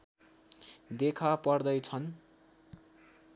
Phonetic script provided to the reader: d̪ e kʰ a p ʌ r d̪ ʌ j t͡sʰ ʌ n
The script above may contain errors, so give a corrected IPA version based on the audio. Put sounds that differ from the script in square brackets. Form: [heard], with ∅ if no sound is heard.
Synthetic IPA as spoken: d̪ e kʰ a p ʌ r d̪ ʌ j t͡sʰ ʌ n